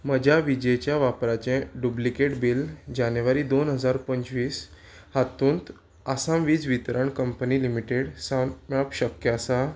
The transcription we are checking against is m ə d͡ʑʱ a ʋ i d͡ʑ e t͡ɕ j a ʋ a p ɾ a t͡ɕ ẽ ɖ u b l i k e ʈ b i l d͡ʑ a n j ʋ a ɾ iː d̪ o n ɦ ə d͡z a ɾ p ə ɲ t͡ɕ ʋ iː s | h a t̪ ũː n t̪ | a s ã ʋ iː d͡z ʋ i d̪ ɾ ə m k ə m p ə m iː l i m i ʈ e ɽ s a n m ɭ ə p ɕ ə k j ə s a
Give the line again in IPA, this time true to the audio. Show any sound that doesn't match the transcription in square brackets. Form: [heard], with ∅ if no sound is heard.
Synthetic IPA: m ə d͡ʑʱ a ʋ i d͡ʑ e t͡ɕ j a ʋ a p ɾ a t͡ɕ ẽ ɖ u b l i k e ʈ b i l d͡ʑ a n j ʋ a ɾ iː d̪ o n ɦ ə d͡z a ɾ p ə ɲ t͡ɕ ʋ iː s | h a t̪ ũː n t̪ | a s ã ʋ iː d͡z ʋ i [t̪] ɾ ə [ɳ] k ə m p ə [n] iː l i m i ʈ e ɽ s a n m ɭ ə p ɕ ə k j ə s a